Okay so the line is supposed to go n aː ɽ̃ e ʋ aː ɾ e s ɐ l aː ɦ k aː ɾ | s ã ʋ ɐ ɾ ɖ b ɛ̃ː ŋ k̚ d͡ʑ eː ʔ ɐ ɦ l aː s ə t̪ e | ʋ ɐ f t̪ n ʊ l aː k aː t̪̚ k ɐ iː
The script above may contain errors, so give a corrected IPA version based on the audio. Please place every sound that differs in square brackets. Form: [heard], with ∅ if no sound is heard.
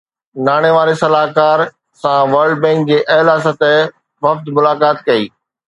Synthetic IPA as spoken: n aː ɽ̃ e ʋ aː ɾ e s ɐ l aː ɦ k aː ɾ | s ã ʋ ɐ ɾ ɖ b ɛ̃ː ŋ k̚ d͡ʑ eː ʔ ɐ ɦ l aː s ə t̪ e | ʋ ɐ f t̪ [m] ʊ l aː k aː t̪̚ k ɐ iː